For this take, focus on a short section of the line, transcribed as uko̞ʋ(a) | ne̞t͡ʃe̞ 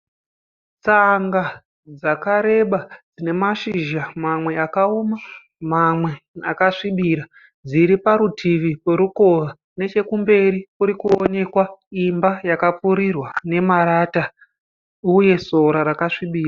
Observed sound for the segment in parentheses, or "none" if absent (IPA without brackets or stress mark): a